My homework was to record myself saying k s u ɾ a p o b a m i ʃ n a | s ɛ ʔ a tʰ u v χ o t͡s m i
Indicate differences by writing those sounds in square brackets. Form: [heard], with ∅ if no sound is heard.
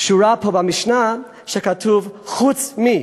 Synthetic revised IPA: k [ʃ] u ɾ a p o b a m i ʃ n a | [ʃ] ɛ [k] a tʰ u v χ [u] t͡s m i